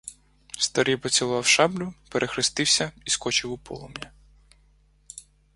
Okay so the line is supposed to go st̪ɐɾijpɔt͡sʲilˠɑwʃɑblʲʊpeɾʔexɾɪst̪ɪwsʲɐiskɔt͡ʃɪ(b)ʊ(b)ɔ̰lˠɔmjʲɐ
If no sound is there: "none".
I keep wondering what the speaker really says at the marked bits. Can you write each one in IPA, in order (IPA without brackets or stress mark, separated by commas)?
w, p